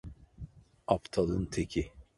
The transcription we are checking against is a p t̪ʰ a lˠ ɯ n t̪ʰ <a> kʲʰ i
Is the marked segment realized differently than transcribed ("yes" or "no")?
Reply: yes